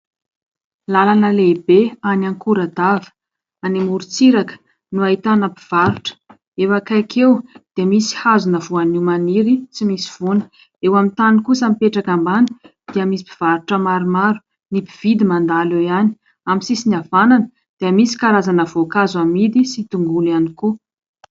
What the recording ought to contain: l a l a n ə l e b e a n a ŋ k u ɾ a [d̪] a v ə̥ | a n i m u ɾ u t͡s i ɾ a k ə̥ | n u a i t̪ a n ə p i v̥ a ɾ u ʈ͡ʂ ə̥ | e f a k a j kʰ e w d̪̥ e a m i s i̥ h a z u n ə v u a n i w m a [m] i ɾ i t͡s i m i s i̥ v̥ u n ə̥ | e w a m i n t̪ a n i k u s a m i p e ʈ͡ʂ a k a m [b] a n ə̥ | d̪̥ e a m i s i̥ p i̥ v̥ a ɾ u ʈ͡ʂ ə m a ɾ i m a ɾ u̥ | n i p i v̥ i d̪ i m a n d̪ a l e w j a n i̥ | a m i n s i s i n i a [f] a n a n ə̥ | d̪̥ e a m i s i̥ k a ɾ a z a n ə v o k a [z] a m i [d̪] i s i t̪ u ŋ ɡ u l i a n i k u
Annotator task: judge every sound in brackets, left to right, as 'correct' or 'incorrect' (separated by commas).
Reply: correct, incorrect, correct, incorrect, correct, correct